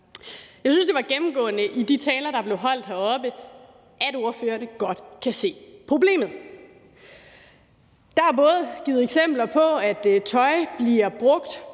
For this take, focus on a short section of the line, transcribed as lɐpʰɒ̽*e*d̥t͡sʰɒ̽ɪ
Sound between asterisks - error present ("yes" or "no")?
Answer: yes